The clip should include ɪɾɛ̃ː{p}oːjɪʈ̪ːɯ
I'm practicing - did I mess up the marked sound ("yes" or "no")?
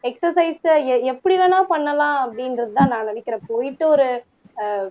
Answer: no